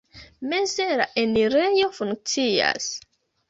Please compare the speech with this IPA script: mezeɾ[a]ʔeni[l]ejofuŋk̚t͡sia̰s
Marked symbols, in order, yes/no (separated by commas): yes, no